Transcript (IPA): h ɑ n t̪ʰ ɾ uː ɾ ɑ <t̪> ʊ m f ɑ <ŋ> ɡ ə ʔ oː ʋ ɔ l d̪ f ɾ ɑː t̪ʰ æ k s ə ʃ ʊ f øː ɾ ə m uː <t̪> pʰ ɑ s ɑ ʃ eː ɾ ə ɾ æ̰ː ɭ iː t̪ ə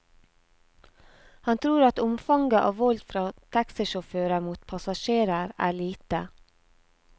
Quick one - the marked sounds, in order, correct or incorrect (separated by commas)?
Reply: correct, correct, correct